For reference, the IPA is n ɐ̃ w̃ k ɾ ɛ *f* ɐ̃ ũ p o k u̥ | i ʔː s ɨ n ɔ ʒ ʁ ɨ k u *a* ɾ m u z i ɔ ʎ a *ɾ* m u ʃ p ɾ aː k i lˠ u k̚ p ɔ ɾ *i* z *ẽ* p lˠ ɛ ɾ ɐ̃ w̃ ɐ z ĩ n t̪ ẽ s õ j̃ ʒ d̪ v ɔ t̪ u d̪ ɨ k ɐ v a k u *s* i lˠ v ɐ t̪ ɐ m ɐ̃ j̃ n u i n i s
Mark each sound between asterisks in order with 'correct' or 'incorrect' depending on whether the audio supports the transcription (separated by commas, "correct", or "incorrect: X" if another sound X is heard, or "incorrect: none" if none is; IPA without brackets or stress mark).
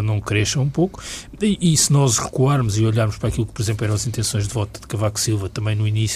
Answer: incorrect: ʃ, correct, correct, correct, correct, correct